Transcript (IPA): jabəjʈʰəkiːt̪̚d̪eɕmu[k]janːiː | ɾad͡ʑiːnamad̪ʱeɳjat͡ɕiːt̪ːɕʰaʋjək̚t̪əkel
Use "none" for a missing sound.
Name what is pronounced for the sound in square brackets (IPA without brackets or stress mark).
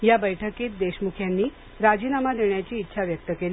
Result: kʰ